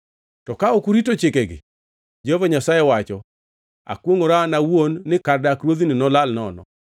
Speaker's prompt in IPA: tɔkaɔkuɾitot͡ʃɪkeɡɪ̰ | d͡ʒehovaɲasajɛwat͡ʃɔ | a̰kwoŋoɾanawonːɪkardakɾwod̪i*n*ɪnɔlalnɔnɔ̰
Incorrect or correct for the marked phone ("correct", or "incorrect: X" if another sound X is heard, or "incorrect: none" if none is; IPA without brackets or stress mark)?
correct